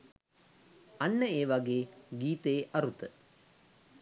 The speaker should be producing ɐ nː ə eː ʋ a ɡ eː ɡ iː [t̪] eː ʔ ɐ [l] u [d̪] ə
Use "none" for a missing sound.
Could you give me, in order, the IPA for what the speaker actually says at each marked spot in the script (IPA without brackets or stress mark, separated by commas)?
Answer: t̪, ɾ, t̪